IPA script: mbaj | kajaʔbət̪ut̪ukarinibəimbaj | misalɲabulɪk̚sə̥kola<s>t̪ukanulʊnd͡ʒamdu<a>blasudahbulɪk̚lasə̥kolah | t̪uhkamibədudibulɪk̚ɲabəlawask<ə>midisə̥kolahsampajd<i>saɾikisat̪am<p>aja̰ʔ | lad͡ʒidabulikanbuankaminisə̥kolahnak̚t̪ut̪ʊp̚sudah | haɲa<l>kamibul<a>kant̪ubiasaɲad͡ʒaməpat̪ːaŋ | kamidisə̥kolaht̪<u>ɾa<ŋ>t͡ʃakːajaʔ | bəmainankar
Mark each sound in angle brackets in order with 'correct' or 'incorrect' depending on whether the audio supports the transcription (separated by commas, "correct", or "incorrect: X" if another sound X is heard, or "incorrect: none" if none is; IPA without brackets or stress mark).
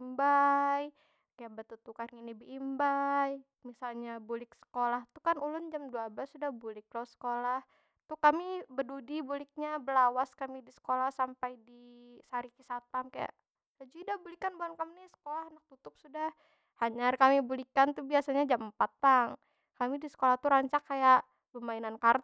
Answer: incorrect: h, correct, incorrect: a, correct, incorrect: k, incorrect: r, incorrect: i, correct, incorrect: ɲ